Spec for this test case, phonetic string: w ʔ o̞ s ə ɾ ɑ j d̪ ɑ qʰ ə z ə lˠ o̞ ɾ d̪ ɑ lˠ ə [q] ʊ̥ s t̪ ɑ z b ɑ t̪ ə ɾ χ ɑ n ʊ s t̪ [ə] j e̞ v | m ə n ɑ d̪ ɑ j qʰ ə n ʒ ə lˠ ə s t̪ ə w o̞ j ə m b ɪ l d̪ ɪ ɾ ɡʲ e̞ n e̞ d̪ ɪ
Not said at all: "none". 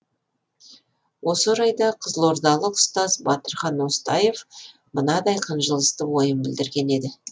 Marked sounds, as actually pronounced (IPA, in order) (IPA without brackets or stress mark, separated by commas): q, ɑ